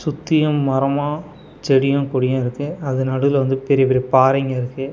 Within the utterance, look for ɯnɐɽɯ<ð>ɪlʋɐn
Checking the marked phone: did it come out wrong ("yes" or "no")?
no